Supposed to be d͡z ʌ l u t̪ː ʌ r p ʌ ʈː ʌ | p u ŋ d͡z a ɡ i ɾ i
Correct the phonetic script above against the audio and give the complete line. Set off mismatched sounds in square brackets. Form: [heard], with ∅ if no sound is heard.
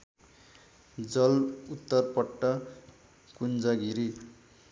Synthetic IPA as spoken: d͡z ʌ l u t̪ː ʌ r p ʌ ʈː ʌ | [k] u [n] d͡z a ɡ i ɾ i